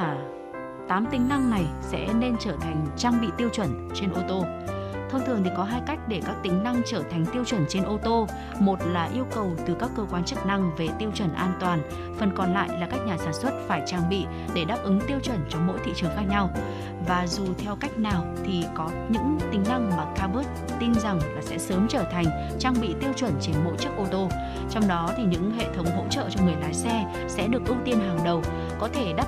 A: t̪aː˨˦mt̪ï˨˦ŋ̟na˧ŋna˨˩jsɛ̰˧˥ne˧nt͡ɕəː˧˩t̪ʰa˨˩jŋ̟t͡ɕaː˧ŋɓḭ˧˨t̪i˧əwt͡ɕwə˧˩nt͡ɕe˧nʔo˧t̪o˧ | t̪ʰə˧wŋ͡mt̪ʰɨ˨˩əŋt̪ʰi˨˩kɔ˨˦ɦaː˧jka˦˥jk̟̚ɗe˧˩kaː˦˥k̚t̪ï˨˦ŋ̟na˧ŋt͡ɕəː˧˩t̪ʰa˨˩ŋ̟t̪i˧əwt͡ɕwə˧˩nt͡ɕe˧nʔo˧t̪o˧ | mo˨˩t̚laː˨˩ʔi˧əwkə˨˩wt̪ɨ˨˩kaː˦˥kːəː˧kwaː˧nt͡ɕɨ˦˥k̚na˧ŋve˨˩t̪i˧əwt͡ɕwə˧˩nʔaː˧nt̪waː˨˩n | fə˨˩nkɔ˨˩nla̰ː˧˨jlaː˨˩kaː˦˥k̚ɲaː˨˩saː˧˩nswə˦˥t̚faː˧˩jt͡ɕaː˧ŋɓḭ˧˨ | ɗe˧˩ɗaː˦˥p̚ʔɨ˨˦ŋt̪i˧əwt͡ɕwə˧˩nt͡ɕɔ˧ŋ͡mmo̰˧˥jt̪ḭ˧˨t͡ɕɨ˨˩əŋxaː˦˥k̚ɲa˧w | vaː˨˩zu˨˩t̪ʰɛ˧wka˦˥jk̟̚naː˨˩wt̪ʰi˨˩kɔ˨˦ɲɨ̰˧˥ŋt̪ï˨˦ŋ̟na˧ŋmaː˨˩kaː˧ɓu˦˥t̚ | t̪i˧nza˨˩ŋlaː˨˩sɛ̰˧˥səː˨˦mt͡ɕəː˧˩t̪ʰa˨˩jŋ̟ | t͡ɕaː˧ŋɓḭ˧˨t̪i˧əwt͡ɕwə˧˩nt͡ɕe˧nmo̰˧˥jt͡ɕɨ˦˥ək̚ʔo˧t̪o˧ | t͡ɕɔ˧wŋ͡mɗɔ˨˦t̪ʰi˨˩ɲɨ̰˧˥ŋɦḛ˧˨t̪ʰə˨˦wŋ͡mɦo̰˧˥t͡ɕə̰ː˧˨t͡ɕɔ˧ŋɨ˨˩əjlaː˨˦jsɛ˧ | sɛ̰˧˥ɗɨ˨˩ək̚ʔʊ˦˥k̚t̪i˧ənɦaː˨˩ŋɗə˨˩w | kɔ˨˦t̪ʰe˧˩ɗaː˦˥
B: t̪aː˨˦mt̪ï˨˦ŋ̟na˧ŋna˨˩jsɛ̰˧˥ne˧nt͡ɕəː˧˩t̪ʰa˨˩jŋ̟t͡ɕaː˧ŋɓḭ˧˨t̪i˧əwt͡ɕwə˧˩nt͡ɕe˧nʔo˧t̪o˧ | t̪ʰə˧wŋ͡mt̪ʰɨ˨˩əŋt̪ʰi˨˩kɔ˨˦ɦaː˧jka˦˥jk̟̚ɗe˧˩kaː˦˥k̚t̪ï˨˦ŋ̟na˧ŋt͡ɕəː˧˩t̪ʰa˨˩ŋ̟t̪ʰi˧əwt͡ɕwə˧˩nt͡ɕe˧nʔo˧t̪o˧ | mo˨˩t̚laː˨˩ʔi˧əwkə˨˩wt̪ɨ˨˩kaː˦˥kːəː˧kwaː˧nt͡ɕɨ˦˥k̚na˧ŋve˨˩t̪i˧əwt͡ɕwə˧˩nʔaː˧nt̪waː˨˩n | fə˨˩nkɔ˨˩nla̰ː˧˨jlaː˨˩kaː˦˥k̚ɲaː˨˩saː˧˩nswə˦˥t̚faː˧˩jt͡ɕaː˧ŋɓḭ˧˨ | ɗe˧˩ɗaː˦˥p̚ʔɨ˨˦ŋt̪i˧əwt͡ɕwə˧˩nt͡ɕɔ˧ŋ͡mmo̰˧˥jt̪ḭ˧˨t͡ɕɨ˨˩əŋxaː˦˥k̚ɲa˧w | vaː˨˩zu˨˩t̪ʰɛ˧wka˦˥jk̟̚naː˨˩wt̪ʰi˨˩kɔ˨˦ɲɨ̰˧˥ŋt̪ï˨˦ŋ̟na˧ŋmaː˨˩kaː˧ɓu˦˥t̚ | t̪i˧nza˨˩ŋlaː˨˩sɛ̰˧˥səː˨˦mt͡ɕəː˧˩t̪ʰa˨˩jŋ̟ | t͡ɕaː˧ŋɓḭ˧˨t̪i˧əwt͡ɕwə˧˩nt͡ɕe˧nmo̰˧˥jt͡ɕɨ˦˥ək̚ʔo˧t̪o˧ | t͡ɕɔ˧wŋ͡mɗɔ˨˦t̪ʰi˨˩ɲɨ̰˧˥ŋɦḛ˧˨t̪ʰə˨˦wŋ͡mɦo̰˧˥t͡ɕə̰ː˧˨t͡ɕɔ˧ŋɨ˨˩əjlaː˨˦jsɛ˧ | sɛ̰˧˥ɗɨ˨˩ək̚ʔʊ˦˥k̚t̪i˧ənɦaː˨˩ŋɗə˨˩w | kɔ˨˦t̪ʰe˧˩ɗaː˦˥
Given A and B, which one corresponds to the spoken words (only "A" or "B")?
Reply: A